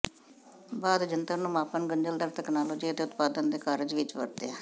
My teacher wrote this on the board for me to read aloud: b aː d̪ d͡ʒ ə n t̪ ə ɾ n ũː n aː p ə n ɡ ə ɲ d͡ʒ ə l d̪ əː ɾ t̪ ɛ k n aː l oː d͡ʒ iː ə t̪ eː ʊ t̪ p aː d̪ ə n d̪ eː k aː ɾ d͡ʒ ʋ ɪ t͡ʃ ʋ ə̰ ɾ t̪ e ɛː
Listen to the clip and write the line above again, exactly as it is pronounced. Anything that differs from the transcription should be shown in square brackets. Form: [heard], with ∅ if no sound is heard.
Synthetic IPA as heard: b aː d̪ d͡ʒ ə n t̪ ə ɾ n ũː [m] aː p ə n ɡ ə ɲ d͡ʒ ə l d̪ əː ɾ t̪ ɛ k n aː l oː d͡ʒ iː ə t̪ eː ʊ t̪ p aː d̪ ə n d̪ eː k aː ɾ d͡ʒ ʋ ɪ t͡ʃ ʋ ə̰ ɾ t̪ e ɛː